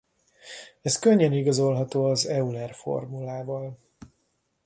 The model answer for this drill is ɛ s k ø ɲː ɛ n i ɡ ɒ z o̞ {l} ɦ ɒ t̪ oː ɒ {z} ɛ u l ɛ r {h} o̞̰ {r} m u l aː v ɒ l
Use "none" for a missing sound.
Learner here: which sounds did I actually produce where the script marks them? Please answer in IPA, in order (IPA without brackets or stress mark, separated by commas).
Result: l, z, f, r